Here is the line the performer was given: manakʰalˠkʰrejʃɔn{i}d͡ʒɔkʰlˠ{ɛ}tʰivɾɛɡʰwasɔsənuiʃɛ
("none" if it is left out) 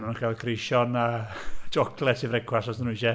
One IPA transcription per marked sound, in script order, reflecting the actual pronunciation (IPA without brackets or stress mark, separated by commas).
a, ɛ